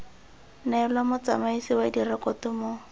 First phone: n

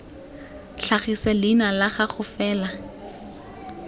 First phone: ɬ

